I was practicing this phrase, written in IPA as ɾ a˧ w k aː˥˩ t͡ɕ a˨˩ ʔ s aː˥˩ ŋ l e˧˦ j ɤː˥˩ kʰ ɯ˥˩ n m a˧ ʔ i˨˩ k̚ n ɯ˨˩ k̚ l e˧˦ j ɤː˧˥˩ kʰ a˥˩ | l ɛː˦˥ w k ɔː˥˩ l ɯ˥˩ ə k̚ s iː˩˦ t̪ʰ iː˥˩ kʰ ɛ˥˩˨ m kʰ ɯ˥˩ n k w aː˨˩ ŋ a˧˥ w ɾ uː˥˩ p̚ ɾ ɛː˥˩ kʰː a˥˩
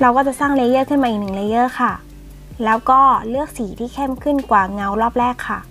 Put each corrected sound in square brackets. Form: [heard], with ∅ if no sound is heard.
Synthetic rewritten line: ɾ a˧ w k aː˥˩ t͡ɕ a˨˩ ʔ s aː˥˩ ŋ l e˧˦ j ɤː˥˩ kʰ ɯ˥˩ n m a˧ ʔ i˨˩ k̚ n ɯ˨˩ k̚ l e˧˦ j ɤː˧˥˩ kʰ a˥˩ | l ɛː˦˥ w k ɔː˥˩ l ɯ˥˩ ə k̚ s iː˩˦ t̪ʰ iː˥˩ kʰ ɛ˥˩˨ m kʰ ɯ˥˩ n k w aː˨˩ ŋ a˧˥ w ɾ [ɔː˥˩] p̚ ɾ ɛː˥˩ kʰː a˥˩